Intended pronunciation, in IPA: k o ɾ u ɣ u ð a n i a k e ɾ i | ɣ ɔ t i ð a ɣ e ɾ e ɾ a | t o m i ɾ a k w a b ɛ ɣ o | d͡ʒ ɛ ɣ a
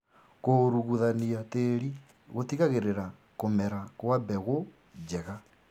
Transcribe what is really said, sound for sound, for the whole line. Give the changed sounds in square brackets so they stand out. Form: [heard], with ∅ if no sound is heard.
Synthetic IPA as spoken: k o ɾ u ɣ u ð a n i a [t] e ɾ i | ɣ [o] t i [ɣ] a ɣ e ɾ e ɾ a | [k] o m [ɛ] ɾ a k w a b ɛ ɣ o | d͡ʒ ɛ ɣ a